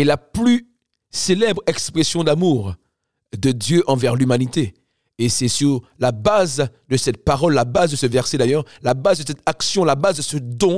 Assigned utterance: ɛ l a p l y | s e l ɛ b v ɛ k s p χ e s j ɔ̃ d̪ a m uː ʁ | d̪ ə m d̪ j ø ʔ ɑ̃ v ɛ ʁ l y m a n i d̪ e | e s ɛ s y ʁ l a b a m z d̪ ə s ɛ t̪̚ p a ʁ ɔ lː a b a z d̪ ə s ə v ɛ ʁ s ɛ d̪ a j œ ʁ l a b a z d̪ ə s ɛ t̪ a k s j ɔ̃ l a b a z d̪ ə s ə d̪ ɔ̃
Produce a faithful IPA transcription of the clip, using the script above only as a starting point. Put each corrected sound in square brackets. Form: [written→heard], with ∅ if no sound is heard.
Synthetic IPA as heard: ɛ l a p l y | s e l ɛ b [v→ʁ] ɛ k s p χ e s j ɔ̃ d̪ a m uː ʁ | d̪ ə [m→∅] d̪ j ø ʔ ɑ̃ v ɛ ʁ l y m a n i [d̪→t̪] e | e s ɛ s y ʁ l a b a [m→∅] z d̪ ə s ɛ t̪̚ p a ʁ ɔ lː a b a z d̪ ə s ə v ɛ ʁ s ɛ d̪ a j œ ʁ l a b a z d̪ ə s ɛ t̪ a k s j ɔ̃ l a b a z d̪ ə s ə d̪ ɔ̃